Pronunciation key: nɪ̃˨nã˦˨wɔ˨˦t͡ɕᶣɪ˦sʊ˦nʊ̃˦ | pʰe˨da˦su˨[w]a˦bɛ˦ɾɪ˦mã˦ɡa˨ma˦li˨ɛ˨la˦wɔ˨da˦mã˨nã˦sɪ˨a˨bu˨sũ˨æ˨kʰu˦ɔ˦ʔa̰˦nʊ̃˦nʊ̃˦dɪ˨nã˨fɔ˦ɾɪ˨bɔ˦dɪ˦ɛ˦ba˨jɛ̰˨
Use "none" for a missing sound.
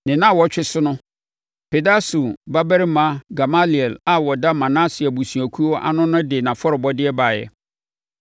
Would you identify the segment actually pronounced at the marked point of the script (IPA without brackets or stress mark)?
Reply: b